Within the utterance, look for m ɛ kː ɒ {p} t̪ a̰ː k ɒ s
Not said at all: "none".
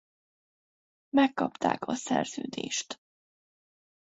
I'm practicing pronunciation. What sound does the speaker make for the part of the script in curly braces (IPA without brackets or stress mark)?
p